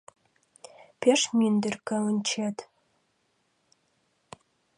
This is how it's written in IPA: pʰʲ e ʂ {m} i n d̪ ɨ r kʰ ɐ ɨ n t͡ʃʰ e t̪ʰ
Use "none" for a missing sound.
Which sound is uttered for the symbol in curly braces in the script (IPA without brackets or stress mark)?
m